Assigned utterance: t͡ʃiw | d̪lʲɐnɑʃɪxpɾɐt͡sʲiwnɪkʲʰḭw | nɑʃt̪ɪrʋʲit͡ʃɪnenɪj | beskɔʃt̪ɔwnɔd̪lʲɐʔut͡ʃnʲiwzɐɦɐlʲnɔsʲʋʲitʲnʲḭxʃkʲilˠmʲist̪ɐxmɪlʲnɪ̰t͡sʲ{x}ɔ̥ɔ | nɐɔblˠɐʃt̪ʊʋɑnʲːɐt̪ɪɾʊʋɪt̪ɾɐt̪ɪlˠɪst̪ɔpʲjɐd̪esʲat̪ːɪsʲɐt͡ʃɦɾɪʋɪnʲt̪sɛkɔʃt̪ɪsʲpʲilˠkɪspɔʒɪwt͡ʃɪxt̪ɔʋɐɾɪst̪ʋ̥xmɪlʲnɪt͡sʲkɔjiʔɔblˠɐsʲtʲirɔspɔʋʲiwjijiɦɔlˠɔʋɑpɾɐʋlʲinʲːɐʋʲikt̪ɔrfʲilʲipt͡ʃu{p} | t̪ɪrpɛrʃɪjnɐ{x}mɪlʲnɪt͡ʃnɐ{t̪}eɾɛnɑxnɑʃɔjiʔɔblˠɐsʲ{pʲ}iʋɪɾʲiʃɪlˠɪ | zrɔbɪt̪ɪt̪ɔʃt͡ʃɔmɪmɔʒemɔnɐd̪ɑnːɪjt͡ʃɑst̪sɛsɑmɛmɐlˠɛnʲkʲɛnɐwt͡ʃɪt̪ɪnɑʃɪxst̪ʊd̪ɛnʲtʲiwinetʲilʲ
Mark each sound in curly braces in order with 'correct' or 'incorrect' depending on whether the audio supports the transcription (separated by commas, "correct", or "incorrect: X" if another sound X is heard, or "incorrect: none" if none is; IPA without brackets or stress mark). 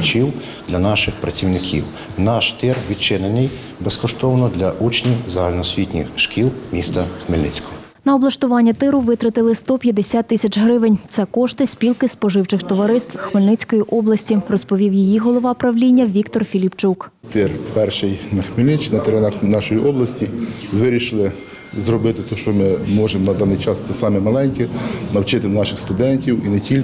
incorrect: k, incorrect: k, correct, correct, incorrect: tʲ